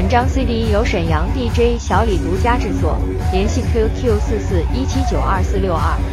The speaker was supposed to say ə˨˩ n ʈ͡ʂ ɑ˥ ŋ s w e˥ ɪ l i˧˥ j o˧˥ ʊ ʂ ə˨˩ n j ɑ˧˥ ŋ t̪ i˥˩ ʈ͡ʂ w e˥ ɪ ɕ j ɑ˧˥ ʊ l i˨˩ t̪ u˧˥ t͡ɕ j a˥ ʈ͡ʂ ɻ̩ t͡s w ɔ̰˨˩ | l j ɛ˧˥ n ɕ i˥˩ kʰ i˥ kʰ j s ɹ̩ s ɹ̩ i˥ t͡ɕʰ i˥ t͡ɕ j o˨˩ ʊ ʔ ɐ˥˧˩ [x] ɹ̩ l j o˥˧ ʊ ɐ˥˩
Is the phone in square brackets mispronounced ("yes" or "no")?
yes